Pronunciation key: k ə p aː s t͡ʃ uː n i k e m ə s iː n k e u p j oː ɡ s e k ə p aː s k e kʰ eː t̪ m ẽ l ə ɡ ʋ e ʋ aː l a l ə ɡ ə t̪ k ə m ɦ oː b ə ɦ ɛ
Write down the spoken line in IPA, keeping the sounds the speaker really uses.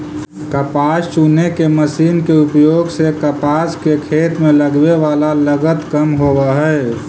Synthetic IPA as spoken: k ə p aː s t͡ʃ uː n e k e m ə s iː n k e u p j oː ɡ s e k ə p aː s k e kʰ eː t̪ m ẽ l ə ɡ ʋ e ʋ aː l a l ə ɡ ə t̪ k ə m ɦ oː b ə ɦ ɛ